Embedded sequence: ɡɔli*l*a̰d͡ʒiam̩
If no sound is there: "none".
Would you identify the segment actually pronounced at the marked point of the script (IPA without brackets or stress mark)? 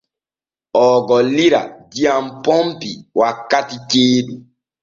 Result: ɾ